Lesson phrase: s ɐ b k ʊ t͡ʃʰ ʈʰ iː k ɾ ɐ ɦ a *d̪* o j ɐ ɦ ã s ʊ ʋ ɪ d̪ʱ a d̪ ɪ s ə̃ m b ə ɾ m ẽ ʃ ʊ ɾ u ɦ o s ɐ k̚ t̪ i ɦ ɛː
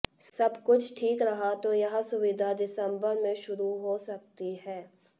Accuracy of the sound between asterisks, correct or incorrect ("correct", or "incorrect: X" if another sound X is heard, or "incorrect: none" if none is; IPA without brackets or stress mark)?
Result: incorrect: t̪